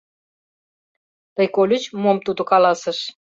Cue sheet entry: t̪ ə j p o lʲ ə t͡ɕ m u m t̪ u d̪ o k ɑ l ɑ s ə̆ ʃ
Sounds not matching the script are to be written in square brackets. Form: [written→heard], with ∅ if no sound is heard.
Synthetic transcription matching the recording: t̪ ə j [p→k] o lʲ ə t͡ɕ m [u→o] m t̪ u d̪ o k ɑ l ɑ s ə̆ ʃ